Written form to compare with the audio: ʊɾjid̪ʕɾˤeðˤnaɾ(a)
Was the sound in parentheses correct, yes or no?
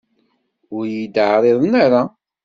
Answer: yes